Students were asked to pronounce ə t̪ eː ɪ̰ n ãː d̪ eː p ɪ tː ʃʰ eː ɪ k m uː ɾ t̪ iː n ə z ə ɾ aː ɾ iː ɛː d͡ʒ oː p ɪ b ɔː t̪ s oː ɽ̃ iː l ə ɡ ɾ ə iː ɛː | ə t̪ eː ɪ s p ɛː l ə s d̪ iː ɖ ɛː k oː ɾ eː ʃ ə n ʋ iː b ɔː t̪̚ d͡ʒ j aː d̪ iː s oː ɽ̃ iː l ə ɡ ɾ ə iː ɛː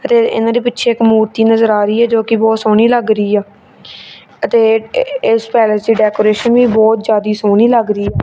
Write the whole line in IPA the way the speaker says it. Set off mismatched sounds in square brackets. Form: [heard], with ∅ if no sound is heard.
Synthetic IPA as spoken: ə t̪ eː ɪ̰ n ãː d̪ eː p ɪ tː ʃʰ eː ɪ k m uː ɾ t̪ iː n ə z ə ɾ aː ɾ iː ɛː d͡ʒ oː [k] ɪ b ɔː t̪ s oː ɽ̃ iː l ə ɡ ɾ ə iː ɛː | ə t̪ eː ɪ s p ɛː l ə s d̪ iː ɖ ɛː k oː ɾ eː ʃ ə n ʋ iː b ɔː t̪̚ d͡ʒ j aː d̪ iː s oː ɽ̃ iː l ə ɡ ɾ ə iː ɛː